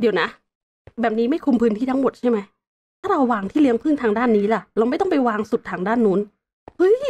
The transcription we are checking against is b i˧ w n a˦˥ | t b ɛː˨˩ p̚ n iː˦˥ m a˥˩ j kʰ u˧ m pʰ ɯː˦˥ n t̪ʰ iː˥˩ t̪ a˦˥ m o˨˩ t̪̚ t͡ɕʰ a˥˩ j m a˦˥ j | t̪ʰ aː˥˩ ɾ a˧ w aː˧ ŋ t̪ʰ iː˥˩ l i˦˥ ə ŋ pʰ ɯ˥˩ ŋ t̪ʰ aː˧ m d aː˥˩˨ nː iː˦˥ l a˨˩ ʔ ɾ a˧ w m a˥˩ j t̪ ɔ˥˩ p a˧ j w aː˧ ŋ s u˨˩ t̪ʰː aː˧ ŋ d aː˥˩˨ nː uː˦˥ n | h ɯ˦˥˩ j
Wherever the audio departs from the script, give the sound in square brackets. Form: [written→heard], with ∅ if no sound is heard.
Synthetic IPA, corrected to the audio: [b→d] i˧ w n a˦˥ | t b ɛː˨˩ p̚ n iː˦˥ m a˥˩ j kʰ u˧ m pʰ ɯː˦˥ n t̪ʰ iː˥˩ t̪ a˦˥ m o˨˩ t̪̚ t͡ɕʰ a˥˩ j m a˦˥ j | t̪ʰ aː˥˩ ɾ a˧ [w→wː] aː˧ ŋ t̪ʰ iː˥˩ l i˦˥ ə ŋ pʰ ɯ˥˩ ŋ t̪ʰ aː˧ [m→ŋ] d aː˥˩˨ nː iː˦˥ l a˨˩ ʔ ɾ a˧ w m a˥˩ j t̪ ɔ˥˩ p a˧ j w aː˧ ŋ s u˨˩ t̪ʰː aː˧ ŋ d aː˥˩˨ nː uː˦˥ n | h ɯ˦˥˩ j